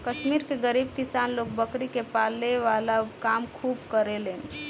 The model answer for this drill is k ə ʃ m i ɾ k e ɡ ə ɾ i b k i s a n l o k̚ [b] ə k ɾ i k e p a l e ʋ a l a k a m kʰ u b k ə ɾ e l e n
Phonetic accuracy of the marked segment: correct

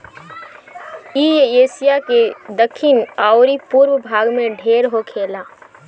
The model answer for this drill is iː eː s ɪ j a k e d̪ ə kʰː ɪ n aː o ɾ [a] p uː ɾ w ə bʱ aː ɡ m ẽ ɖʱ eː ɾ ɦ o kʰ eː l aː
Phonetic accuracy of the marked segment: incorrect: i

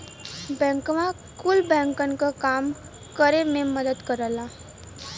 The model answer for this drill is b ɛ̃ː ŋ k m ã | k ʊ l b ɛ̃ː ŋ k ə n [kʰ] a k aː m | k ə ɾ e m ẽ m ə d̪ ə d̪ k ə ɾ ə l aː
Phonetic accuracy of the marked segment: incorrect: k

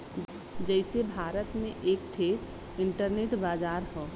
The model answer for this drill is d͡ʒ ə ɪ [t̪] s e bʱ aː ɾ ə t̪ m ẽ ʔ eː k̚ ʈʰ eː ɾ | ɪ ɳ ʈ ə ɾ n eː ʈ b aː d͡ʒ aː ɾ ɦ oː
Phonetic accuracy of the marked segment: incorrect: none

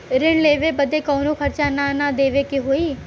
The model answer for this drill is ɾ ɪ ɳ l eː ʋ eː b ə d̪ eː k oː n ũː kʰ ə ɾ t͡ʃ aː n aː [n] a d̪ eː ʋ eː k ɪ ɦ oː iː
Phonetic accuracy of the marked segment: correct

